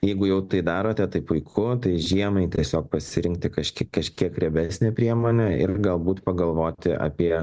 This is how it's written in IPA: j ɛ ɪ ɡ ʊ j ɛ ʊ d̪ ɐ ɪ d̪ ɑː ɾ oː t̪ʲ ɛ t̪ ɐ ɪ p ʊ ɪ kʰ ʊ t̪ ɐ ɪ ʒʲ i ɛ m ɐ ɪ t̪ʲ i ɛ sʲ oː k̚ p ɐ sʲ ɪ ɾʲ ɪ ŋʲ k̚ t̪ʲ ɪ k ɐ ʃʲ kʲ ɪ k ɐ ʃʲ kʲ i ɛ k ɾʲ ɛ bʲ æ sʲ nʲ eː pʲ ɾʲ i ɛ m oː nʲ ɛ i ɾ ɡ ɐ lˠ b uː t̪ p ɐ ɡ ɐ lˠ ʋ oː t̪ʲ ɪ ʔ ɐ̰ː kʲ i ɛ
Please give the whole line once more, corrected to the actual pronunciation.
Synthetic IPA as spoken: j ɛ ɪ ɡ ʊ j ɛ ʊ t̪ ɐ ɪ d̪ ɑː ɾ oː t̪ʲ ɛ t̪ ɐ ɪ p ʊ ɪ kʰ ʊ t̪ ɐ ɪ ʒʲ i ɛ m ɐ ɪ t̪ʲ i ɛ sʲ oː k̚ p ɐ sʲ ɪ ɾʲ ɪ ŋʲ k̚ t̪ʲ ɪ k ɐ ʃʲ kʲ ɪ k ɐ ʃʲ kʲ i ɛ k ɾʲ ɛ bʲ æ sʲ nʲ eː pʲ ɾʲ i ɛ m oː nʲ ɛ ɪ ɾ ɡ ɐ lˠ b uː t̪ p ɐ ɡ ɐ lˠ ʋ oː t̪ʲ ɪ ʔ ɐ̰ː pʲ i ɛ

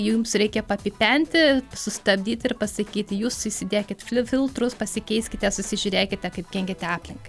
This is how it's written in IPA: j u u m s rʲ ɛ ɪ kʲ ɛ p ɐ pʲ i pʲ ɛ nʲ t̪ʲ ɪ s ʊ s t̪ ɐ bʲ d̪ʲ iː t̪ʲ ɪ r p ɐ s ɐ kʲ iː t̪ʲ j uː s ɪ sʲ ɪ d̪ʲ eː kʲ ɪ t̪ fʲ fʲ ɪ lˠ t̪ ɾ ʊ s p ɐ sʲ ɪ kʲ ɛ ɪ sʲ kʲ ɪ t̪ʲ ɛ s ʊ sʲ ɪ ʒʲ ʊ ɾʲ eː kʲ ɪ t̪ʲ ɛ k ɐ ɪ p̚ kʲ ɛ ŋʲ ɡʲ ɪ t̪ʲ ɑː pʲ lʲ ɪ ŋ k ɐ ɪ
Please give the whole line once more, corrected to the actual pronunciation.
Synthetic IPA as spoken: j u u m s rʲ ɛ ɪ kʲ ɛ p ɐ pʲ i pʲ ɛ nʲ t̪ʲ ɪ s ʊ s t̪ ɐ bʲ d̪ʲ iː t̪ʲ ɪ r p ɐ s ɐ kʲ iː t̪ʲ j uː s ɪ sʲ ɪ d̪ʲ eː kʲ ɪ t̪ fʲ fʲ ɪ lˠ t̪ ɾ ʊ s p ɐ sʲ ɪ kʲ ɛ ɪ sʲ kʲ ɪ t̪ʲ ɛ s ʊ sʲ ɪ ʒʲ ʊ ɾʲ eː kʲ ɪ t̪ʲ ɛ k ɐ ɪ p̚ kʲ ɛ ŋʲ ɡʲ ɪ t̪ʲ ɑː pʲ lʲ ɪ ŋ k ɐ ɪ

